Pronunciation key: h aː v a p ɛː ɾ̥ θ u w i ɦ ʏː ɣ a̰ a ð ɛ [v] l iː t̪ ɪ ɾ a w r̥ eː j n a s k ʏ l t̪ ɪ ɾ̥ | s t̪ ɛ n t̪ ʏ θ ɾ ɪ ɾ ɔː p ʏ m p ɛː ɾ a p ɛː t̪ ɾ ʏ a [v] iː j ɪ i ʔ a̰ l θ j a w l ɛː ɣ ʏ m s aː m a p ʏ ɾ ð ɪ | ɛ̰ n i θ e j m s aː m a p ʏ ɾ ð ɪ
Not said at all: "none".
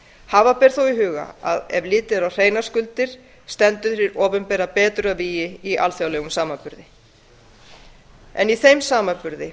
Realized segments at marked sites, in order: v, v

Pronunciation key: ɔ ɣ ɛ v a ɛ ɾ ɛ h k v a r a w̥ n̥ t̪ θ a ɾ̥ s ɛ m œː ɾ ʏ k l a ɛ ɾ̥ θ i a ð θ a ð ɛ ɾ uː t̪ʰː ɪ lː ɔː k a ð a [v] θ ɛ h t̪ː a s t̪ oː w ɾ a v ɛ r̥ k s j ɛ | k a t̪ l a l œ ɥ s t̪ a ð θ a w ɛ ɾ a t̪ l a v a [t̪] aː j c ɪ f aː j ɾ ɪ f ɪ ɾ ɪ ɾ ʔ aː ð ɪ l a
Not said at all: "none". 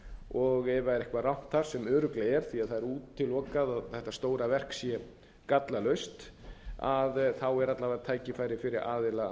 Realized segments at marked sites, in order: ð, t̪ʰ

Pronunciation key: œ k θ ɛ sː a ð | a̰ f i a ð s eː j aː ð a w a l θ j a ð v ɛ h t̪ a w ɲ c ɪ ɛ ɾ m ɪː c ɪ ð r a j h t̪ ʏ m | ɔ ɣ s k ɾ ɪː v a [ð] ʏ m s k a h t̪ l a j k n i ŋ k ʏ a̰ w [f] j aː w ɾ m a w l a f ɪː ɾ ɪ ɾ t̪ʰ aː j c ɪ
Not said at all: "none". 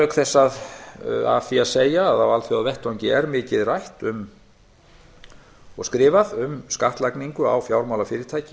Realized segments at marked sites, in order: ð, f

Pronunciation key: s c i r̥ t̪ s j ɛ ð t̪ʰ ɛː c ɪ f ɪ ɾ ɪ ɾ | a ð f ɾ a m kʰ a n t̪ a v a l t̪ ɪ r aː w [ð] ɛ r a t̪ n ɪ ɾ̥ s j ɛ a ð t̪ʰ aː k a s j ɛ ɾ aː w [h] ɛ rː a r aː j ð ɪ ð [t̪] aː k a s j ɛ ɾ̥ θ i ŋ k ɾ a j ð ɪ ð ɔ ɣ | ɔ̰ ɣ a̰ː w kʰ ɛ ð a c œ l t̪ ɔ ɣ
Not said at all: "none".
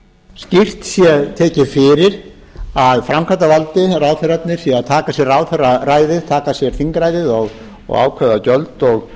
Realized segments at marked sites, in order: θ, θ, t̪ʰ

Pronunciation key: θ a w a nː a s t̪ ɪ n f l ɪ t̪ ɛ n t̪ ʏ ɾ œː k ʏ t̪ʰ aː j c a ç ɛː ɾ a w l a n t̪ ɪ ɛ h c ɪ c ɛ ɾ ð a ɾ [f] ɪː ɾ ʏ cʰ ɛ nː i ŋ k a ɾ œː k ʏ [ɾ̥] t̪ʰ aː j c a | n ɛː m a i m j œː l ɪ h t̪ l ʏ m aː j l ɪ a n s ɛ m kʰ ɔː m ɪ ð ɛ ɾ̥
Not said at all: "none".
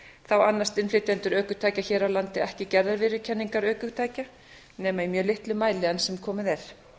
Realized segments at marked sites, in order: v, none

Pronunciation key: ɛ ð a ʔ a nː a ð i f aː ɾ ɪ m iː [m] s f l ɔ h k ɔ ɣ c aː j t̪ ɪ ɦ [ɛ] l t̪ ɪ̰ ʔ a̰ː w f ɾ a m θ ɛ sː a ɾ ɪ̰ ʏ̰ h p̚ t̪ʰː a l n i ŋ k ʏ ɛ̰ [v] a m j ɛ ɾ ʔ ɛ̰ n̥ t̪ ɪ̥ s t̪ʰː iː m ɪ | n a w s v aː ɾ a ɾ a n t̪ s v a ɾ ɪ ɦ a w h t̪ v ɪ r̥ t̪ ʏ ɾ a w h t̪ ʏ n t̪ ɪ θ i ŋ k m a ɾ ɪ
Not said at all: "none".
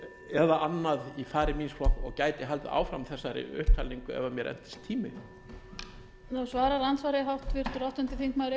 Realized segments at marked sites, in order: n, a, v

